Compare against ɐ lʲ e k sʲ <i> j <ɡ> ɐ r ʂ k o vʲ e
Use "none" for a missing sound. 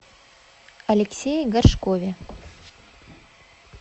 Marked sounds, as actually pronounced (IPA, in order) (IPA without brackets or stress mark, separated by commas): e, ɡ